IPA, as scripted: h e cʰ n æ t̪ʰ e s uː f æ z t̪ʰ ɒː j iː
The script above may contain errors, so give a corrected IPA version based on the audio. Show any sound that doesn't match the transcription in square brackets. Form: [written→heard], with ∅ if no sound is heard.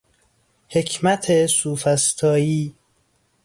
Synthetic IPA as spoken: h e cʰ [n→m] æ t̪ʰ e s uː f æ [z→s] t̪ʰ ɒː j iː